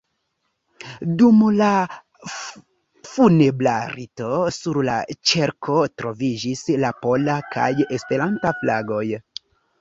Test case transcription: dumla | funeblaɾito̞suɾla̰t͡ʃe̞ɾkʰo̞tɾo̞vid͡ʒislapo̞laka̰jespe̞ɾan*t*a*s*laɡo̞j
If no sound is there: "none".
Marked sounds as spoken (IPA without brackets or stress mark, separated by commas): t, f